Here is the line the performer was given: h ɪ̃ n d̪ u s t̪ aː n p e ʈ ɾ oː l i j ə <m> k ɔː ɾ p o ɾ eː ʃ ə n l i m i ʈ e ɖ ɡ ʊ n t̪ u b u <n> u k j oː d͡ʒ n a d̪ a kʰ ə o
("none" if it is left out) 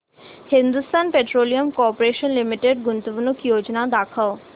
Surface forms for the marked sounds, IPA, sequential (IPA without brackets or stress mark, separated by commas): m, n